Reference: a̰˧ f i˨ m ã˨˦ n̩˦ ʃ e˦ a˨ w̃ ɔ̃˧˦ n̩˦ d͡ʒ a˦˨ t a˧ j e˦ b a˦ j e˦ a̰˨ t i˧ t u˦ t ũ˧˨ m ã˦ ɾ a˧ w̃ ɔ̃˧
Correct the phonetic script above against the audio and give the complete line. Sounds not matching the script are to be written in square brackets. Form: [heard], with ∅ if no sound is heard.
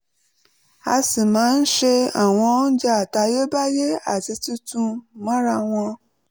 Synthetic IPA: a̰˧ [s] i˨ m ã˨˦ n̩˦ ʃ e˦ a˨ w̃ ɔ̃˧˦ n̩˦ d͡ʒ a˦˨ t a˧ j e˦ b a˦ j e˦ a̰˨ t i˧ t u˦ t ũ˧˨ m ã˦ ɾ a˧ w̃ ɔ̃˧